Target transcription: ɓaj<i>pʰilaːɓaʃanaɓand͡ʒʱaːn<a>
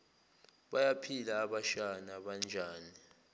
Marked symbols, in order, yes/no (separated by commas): no, no